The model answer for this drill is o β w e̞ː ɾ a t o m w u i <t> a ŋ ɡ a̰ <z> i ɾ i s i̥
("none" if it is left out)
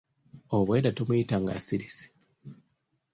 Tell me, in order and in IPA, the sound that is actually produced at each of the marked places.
t, s

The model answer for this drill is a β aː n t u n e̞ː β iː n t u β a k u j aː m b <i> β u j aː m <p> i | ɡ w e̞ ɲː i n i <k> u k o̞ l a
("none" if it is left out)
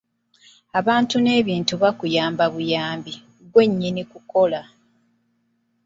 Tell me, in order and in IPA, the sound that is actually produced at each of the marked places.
a, b, k

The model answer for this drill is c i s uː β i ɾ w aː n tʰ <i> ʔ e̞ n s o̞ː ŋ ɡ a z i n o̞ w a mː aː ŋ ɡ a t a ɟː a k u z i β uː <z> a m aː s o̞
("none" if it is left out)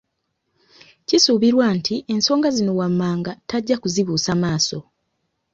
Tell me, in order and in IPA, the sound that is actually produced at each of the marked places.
i, s

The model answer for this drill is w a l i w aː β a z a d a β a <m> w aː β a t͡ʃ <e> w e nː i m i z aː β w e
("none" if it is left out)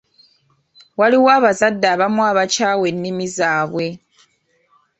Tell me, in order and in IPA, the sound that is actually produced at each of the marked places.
m, a

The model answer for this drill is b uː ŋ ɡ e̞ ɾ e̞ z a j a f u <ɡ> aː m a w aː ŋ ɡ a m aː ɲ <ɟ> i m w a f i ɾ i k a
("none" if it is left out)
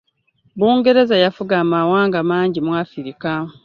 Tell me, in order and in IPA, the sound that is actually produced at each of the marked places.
ɡ, ɟ

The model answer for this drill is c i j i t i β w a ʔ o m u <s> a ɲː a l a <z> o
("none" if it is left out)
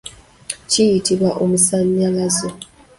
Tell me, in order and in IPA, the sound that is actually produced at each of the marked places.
s, z

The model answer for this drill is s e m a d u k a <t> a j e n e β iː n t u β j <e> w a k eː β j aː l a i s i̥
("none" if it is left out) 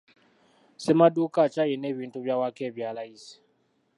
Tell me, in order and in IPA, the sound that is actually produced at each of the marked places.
t͡ʃ, a

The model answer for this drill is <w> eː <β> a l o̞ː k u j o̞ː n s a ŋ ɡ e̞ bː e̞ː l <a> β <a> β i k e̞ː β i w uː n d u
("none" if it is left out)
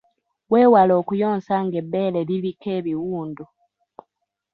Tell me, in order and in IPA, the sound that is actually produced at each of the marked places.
w, w, e, i

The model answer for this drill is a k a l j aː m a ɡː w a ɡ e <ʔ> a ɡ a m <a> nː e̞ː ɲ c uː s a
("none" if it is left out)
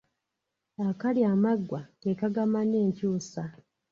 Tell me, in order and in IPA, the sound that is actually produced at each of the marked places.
k, a

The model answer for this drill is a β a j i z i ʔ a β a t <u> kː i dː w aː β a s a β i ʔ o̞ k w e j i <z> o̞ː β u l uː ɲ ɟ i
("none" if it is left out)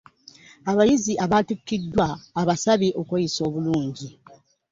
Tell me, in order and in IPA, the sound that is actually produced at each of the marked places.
u, s

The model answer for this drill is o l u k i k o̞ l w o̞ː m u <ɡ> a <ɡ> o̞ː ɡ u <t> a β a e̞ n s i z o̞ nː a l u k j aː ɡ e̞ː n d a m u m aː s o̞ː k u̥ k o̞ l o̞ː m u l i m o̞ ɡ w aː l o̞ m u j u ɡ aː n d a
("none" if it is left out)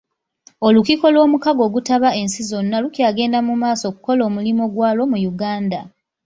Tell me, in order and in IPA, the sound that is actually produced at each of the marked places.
k, ɡ, t

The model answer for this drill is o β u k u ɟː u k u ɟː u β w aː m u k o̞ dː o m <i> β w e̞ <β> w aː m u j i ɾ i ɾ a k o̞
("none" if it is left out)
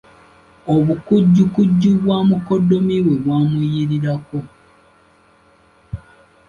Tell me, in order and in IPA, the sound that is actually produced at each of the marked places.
i, β

